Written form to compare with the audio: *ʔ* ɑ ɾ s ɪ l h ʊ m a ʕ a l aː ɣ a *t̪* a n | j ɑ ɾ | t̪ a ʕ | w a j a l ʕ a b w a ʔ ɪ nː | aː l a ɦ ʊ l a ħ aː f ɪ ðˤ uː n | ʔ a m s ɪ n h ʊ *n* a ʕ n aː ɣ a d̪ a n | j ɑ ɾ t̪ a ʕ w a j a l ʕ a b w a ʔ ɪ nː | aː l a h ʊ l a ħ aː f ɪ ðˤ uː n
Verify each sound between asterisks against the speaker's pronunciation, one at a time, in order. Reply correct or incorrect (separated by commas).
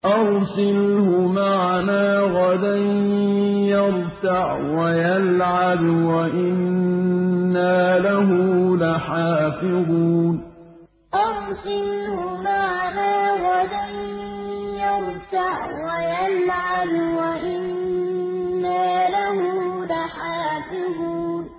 correct, incorrect, incorrect